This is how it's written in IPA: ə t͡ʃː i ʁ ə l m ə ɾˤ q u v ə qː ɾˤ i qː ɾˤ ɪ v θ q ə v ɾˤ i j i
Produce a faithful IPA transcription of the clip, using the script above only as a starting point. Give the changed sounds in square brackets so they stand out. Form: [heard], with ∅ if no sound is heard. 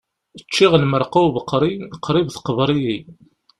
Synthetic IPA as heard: ə t͡ʃː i ʁ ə l m ə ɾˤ q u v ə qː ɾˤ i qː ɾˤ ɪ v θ q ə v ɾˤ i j i